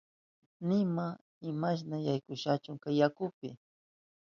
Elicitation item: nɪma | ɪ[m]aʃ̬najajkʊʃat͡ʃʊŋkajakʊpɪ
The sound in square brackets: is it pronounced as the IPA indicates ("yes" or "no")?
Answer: yes